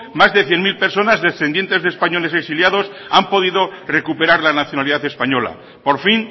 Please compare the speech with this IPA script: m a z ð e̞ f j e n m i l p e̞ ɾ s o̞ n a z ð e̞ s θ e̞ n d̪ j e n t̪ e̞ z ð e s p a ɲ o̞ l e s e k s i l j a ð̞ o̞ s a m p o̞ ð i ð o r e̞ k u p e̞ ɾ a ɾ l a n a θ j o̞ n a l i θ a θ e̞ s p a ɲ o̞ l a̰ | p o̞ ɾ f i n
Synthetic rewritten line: m a z ð e̞ θ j e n m i l p e̞ ɾ s o̞ n a z ð e̞ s θ e̞ n d̪ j e n t̪ e̞ z ð e s p a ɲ o̞ l e s e k s i l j a ð̞ o̞ s a m p o̞ ð i ð o r e̞ k u p e̞ ɾ a ɾ l a n a θ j o̞ n a l i ð a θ e̞ s p a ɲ o̞ l a̰ | p o̞ ɾ f i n